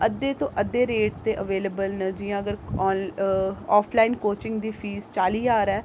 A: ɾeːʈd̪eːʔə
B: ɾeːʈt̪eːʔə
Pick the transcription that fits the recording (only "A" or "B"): B